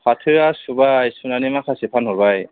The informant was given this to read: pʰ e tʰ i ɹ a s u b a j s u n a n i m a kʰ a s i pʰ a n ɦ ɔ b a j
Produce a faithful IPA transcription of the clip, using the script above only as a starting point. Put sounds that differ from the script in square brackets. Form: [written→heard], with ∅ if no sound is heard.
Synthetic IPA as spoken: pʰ [e→a] tʰ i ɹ a s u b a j s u n a n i m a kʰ a s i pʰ a n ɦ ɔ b a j